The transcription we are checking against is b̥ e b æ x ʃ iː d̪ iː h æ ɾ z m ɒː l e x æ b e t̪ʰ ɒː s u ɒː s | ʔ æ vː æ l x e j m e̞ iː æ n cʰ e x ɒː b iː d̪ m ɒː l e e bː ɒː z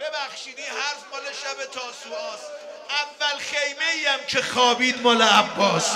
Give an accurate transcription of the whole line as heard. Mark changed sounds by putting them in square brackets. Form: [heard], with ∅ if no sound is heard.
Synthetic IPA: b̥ e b æ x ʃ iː d̪ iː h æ ɾ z m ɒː l e [ʃ] æ b e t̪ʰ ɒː s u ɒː s | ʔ æ vː æ l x e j m e̞ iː æ [m] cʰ e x ɒː b iː d̪ m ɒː l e [æ] bː ɒː [s]